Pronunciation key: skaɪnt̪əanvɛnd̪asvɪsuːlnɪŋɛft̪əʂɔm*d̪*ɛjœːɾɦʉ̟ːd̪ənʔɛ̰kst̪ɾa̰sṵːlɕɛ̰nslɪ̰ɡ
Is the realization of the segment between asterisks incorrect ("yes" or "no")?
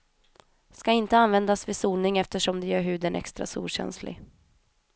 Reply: no